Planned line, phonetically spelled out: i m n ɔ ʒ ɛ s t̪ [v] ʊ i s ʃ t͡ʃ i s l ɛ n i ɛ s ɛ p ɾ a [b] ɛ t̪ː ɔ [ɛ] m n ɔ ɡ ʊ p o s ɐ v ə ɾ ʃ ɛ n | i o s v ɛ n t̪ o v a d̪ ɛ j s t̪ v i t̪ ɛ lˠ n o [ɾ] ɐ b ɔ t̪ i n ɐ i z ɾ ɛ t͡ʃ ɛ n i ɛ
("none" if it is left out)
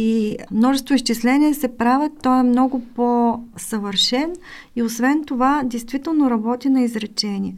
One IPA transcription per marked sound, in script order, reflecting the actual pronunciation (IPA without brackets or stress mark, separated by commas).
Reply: v, v, ɛ, ɾ